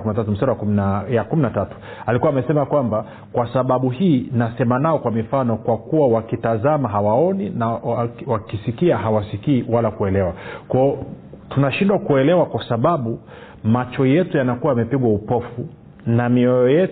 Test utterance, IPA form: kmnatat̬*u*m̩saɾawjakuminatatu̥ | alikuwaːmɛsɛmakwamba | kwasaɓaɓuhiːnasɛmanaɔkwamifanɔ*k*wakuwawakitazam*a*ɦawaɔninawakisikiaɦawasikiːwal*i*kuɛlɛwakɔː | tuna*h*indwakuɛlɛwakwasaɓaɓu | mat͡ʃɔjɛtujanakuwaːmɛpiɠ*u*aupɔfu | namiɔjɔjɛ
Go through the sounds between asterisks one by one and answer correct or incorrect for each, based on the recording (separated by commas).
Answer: correct, correct, correct, incorrect, incorrect, incorrect